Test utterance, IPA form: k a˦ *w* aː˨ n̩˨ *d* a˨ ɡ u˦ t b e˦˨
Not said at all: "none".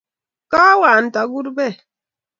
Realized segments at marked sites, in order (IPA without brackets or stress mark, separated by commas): w, t